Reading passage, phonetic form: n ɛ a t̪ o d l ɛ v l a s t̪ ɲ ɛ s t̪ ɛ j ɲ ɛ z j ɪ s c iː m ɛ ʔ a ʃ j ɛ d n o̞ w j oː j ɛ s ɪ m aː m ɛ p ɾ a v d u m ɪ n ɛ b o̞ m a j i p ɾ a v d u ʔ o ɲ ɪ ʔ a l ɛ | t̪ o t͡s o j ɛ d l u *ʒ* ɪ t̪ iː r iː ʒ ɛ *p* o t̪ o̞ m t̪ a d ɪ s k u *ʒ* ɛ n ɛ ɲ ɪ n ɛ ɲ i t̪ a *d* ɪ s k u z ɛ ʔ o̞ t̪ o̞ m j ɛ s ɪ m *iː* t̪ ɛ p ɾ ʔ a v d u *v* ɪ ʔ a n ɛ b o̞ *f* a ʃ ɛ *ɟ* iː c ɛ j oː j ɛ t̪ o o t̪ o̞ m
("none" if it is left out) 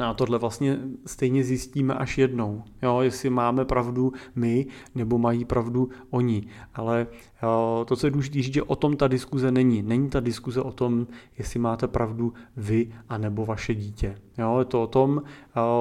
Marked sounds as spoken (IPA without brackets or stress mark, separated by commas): ʒ, ʔ, z, d, aː, v, v, ɟ